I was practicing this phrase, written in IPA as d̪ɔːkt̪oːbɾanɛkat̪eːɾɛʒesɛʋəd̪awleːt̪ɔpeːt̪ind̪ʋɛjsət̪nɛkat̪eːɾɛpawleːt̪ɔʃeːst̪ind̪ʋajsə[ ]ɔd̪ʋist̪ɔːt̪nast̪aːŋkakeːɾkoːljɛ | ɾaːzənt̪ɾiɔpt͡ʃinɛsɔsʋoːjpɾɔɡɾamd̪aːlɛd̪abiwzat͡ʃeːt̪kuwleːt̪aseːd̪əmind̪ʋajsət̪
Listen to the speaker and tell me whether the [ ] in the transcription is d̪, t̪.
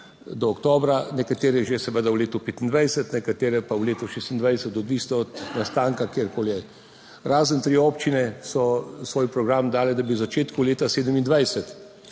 t̪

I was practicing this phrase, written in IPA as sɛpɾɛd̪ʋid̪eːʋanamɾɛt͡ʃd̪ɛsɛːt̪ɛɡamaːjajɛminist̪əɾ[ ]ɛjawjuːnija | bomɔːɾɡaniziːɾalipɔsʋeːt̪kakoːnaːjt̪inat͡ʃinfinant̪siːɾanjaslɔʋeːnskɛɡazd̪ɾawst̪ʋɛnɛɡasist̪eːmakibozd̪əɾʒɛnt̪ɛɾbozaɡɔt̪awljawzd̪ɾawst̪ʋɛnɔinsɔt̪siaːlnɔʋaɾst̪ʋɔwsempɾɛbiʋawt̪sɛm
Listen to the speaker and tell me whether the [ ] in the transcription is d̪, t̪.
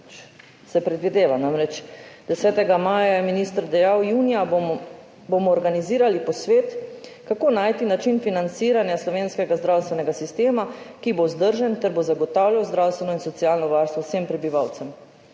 d̪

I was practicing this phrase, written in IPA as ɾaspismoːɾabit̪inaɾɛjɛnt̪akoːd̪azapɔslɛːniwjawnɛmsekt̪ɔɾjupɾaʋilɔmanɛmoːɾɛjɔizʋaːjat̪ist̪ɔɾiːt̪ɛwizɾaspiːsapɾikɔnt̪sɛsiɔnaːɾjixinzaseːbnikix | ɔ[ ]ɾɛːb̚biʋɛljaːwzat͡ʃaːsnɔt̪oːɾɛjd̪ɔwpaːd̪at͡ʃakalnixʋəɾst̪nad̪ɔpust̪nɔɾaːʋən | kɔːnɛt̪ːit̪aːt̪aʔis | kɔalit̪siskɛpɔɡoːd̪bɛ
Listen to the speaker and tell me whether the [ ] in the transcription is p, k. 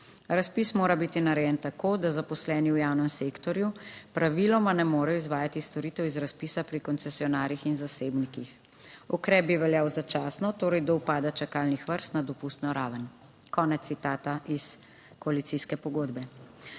k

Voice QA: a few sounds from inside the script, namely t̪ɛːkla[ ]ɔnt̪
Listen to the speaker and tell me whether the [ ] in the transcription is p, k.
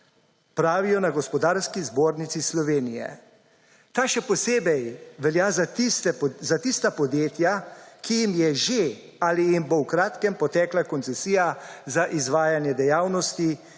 k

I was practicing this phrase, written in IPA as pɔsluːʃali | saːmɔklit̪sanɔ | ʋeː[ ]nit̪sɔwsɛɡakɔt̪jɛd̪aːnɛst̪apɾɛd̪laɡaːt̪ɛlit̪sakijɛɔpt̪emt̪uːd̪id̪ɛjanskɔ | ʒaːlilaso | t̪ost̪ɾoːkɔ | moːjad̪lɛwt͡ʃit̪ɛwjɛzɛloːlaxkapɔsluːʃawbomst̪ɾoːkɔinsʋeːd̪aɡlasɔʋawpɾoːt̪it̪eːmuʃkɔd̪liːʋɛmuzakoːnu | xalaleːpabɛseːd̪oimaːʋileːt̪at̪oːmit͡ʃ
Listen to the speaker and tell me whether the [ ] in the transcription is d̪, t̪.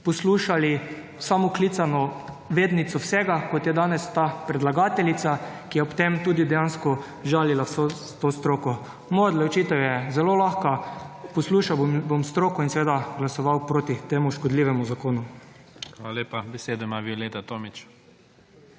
d̪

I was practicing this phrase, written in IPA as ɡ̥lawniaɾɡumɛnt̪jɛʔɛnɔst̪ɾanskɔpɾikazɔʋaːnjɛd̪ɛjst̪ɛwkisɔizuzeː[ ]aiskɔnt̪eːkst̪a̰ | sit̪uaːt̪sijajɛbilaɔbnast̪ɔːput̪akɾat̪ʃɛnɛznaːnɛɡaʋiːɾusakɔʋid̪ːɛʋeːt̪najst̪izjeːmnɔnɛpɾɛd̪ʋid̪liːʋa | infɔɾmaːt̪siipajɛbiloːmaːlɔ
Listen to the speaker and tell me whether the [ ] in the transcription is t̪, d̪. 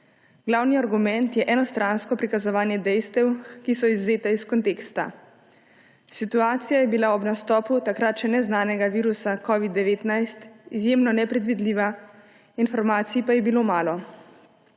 t̪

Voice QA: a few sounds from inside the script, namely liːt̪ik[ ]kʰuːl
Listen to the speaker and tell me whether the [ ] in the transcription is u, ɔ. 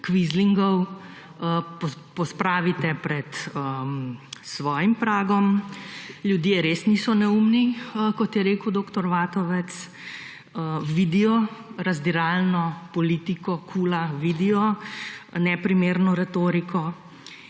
ɔ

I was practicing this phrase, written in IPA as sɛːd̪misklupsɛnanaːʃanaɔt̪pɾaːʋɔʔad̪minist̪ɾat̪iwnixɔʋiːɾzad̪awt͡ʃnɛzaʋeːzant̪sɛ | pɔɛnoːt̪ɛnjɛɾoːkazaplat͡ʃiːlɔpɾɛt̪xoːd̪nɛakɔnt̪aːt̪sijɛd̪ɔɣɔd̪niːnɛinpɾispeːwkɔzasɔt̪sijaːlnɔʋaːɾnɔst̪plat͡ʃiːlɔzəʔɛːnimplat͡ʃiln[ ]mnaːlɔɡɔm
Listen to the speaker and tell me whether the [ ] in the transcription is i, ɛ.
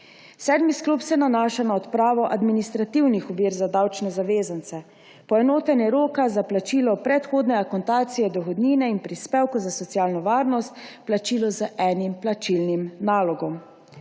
i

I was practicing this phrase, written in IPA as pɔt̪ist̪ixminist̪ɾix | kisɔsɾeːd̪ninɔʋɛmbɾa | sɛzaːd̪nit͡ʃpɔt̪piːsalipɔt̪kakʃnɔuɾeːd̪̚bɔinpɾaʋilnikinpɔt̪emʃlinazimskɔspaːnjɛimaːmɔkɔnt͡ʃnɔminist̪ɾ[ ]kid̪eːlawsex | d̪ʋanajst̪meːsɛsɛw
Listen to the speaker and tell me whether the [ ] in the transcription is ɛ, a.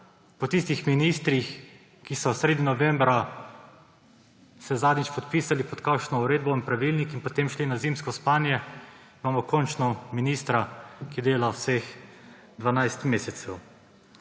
a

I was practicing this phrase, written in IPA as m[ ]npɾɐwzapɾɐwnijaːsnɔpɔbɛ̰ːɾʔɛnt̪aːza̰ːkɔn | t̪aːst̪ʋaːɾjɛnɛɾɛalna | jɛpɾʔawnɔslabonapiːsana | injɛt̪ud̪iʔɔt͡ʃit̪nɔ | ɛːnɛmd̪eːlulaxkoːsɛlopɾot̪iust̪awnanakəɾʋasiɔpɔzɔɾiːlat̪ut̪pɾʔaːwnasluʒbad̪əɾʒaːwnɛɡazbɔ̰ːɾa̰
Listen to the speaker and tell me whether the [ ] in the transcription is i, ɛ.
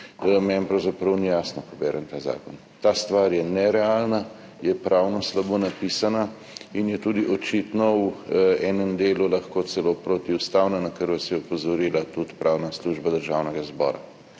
ɛ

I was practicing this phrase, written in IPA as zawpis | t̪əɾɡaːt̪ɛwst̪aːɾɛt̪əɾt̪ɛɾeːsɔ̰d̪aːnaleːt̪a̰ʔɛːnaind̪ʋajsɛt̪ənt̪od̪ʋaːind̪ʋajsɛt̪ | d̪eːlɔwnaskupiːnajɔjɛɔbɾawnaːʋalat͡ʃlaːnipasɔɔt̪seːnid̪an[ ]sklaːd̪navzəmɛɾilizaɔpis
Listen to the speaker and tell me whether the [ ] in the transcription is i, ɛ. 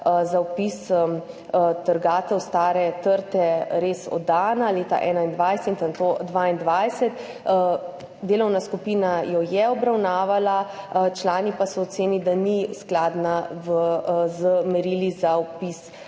i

